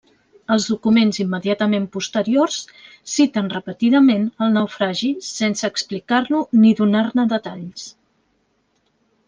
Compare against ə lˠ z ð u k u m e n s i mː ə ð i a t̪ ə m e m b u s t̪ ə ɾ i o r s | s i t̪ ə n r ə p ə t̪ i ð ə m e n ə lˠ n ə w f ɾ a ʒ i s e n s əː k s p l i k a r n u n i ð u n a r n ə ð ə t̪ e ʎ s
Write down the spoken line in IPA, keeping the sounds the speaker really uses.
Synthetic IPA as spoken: ə lˠ z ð u k u m e n z i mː ə ð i a t̪ ə m e m p u s t̪ ə ɾ i o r s | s i t̪ ə n r ə p ə t̪ i ð ə m e n ə lˠ n ə w f ɾ a ʒ i s e n s əː k s p l i k a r n u n i ð u n a r n ə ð ə t̪ a ʎ s